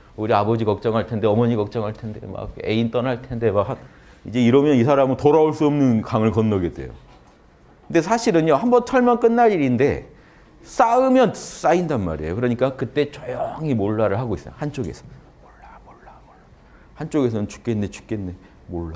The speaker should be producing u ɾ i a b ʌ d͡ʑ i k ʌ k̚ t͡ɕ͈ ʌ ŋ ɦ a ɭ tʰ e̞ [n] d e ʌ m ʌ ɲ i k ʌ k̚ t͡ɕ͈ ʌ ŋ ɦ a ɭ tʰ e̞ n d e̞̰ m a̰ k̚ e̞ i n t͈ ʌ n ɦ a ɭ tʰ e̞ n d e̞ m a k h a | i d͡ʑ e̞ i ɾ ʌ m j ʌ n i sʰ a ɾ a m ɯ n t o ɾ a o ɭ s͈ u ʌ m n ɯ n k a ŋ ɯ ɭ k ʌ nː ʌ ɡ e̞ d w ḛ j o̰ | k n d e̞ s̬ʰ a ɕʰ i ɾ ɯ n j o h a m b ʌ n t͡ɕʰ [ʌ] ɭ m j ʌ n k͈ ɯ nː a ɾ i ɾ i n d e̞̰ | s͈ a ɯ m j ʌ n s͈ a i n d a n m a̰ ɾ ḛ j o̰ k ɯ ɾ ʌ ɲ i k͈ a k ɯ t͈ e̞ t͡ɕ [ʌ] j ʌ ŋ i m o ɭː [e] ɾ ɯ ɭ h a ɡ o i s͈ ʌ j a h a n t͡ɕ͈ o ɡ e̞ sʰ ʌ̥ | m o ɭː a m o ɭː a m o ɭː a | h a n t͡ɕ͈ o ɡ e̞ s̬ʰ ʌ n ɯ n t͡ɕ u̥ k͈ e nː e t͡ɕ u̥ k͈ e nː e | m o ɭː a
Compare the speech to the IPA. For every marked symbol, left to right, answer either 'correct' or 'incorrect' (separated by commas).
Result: correct, correct, correct, incorrect